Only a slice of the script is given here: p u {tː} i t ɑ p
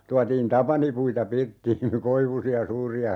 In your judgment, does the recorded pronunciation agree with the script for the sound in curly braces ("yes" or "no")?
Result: no